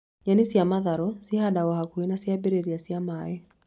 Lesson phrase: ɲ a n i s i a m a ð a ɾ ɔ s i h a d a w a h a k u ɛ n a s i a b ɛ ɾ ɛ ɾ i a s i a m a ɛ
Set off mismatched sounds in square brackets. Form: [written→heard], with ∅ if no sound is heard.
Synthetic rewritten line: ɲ a n i s i a m a ð a ɾ ɔ s i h a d a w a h a k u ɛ n a s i a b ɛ ɾ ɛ ɾ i a s i a m a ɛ

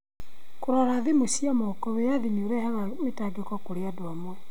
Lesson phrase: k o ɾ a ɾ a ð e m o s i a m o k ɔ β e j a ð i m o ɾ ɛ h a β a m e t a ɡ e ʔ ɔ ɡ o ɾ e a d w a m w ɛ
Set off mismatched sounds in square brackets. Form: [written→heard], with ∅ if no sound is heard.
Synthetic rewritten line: k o ɾ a ɾ a ð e m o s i a m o k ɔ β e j a ð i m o ɾ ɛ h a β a m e t a ɡ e [ʔ→k] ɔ [ɡ→k] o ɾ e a d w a m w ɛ

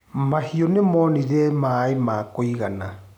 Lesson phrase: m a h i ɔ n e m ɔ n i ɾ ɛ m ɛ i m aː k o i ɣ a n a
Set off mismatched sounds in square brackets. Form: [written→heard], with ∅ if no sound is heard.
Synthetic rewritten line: m a h i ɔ n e m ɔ n i ɾ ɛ m [ɛ→a] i m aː k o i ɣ a n a

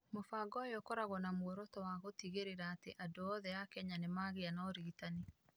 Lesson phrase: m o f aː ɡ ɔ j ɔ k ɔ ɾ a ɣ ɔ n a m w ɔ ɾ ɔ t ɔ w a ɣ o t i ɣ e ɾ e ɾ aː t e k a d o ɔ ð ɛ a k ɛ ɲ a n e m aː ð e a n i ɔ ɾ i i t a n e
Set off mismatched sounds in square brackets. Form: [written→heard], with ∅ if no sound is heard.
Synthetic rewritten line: m o f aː ɡ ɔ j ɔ k ɔ ɾ a ɣ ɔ n a m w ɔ ɾ ɔ t ɔ w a ɣ o t i ɣ e ɾ e ɾ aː t e [k→ʔ] a d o ɔ ð ɛ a k ɛ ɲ a n e m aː [ð→ɣ] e a n [i→a] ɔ ɾ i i t a n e

